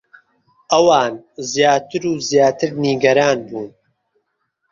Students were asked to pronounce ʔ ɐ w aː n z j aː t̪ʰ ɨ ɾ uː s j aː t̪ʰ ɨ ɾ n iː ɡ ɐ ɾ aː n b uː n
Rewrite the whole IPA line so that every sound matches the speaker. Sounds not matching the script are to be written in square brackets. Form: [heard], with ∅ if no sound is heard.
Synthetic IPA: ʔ ɐ w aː n z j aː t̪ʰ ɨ ɾ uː [z] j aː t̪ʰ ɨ ɾ n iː ɡ ɐ ɾ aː n b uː n